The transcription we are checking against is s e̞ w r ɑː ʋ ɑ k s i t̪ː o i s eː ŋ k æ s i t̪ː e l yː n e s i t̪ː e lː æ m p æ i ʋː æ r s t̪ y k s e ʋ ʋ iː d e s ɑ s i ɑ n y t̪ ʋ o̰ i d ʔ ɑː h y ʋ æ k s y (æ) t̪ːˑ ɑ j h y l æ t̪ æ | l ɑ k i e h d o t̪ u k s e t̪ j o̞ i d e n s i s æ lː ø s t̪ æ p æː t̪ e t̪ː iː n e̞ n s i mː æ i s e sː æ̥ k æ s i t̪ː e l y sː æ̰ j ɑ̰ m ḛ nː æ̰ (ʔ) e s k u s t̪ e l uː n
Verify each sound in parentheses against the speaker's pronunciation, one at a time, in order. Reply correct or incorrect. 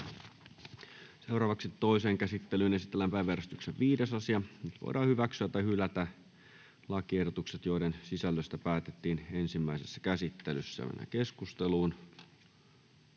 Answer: correct, incorrect: k

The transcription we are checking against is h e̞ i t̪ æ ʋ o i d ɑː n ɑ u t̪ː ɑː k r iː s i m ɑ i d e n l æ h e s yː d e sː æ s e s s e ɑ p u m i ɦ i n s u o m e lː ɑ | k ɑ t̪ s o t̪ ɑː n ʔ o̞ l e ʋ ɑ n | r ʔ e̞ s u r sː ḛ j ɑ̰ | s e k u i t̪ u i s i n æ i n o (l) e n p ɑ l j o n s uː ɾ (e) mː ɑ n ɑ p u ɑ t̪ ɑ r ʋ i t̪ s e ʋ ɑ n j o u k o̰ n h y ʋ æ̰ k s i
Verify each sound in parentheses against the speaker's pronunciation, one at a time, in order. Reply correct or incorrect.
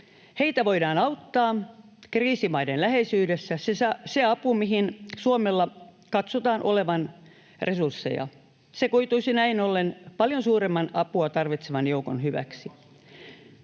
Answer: incorrect: lː, correct

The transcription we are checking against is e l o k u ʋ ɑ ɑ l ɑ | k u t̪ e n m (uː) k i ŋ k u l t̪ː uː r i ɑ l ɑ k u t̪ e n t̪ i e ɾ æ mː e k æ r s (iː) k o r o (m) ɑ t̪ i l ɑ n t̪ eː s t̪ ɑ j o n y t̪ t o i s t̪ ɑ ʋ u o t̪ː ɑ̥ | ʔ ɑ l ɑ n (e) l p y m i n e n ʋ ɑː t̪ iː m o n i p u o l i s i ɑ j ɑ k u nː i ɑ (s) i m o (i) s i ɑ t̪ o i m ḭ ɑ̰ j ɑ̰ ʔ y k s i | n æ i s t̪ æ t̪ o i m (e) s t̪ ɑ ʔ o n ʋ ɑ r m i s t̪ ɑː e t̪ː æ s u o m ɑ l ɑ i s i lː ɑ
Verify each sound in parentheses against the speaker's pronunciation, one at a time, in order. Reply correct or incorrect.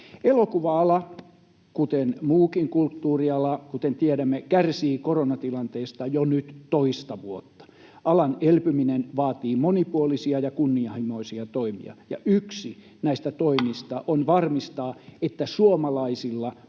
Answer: correct, correct, incorrect: n, correct, incorrect: h, correct, incorrect: i

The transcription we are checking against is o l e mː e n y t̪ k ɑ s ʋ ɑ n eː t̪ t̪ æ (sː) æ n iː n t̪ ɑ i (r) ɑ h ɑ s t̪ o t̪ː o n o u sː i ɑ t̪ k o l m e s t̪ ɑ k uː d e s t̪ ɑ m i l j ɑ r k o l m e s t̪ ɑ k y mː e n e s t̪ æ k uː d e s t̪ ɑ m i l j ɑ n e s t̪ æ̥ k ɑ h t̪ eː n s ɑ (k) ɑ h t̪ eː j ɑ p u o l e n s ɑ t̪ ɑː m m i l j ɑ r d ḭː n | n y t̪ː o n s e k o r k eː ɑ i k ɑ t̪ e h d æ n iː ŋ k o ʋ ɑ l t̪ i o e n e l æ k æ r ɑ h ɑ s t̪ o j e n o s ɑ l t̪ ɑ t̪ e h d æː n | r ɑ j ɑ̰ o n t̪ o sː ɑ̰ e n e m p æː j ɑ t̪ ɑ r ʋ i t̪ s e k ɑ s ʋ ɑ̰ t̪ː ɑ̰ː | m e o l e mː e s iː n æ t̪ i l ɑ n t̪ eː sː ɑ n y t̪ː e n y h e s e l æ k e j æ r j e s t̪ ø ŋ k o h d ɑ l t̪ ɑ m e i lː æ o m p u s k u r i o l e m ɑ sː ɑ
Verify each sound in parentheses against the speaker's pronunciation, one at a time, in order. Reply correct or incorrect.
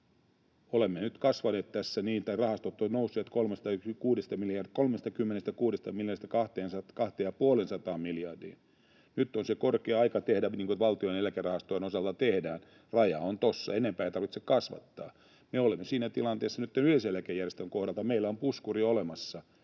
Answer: correct, correct, correct

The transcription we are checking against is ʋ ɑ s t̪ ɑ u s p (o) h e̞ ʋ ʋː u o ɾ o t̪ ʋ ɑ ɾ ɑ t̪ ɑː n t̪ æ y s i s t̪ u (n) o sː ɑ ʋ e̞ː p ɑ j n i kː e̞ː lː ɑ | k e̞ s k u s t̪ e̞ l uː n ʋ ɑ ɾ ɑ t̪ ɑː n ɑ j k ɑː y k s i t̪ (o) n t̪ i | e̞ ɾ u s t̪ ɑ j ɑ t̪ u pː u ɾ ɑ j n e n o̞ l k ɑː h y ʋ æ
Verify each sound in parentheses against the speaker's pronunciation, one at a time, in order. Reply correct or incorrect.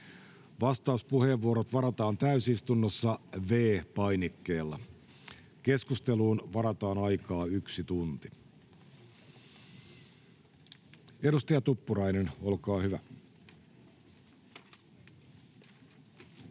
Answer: incorrect: u, incorrect: nː, incorrect: u

